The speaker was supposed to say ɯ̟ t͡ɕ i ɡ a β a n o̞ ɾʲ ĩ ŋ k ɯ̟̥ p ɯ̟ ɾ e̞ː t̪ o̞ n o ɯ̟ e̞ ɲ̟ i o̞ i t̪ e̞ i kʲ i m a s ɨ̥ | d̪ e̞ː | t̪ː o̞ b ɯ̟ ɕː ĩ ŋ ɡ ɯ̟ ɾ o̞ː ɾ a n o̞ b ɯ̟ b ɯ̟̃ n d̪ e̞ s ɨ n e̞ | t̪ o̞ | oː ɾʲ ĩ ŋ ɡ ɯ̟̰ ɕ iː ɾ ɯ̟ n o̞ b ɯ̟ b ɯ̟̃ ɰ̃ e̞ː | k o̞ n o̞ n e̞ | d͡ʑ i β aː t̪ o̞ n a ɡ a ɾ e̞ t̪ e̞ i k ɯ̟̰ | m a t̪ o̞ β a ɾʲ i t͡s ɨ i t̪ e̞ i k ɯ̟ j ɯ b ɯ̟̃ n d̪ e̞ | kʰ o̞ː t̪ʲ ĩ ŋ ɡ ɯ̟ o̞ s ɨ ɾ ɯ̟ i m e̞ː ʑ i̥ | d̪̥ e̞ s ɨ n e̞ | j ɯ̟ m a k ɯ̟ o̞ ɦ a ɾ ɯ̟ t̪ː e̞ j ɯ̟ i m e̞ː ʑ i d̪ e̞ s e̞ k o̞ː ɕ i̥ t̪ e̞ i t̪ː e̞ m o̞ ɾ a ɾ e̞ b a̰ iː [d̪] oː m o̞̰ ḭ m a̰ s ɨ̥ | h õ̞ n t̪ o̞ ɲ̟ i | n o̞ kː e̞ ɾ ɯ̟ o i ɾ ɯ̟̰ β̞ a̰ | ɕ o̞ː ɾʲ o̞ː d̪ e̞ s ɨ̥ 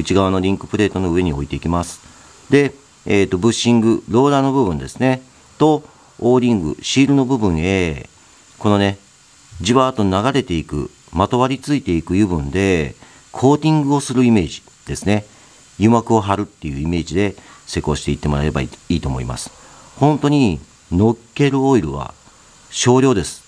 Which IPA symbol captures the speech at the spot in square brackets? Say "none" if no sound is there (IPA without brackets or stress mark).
t̪